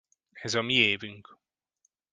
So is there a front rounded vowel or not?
yes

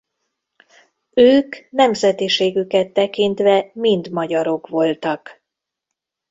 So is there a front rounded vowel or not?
yes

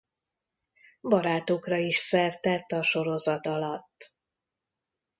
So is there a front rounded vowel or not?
no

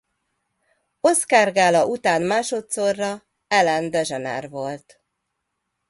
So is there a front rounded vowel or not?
no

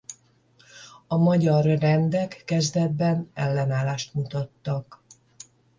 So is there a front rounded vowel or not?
no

